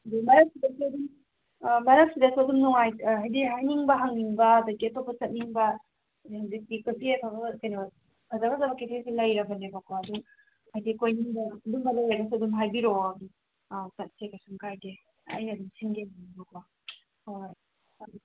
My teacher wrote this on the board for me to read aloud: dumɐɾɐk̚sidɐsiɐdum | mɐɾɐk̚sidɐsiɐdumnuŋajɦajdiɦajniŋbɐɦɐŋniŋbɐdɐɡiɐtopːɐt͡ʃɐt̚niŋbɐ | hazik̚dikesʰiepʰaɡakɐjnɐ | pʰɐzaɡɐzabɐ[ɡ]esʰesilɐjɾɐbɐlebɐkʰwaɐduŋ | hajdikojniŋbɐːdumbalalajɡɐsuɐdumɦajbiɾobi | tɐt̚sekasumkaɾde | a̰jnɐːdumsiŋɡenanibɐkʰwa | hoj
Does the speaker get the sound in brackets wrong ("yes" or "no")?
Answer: yes